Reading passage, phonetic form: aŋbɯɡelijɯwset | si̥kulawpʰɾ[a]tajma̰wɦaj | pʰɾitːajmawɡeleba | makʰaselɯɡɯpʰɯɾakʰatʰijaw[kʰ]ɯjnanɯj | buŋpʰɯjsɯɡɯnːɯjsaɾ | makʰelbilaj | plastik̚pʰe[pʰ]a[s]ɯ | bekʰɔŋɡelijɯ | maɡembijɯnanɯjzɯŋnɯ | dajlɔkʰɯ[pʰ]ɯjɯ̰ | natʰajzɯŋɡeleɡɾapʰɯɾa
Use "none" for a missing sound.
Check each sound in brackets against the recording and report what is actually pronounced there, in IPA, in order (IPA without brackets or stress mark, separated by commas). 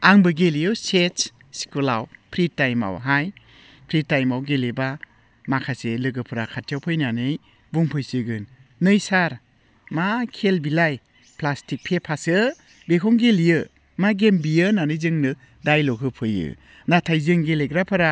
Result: i, pʰ, pʰ, s, pʰ